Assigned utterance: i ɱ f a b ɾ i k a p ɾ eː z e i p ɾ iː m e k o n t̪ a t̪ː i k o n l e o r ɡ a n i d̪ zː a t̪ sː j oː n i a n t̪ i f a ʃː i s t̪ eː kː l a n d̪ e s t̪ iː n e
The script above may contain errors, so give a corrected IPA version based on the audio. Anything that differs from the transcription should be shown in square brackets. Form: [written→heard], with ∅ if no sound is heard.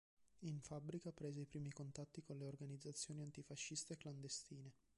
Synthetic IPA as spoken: i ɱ f a b ɾ i k a p ɾ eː z e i p ɾ iː m [e→i] k o n t̪ a t̪ː i k o n l e o r ɡ a n i d̪ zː a t̪ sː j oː n i a n t̪ i f a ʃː i s t̪ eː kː l a n d̪ e s t̪ iː n e